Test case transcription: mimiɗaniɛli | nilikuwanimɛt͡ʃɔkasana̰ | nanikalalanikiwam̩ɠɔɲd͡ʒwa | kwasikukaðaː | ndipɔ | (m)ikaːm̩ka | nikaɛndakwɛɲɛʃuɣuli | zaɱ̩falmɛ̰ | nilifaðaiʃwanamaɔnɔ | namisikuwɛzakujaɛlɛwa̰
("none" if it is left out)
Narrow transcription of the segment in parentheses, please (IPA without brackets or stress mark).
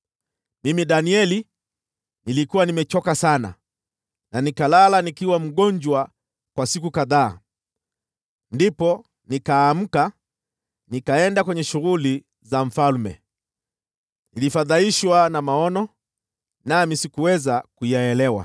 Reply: n